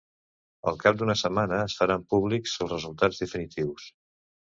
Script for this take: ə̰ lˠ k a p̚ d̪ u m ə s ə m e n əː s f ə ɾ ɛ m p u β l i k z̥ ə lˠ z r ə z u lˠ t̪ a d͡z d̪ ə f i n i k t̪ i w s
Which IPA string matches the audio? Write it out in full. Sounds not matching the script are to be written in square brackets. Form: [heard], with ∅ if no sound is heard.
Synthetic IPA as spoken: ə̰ lˠ k a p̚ d̪ u [n] ə s ə m [a] n əː s f ə ɾ [a] m p u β l i k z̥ ə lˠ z r ə z u lˠ t̪ a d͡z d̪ ə f i n i [∅] t̪ i w s